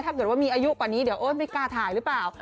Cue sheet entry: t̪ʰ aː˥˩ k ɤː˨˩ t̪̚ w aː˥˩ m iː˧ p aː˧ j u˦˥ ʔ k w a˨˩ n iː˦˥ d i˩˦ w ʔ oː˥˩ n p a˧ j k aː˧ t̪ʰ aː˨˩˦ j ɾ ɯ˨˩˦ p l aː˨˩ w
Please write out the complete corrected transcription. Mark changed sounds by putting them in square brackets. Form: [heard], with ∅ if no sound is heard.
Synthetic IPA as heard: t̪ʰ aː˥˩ k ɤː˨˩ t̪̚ w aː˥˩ m iː˧ [ʔ] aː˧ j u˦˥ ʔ k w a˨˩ n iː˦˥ d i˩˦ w ʔ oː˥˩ n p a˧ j k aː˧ t̪ʰ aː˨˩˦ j ɾ [ɯ˦˥] p l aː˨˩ w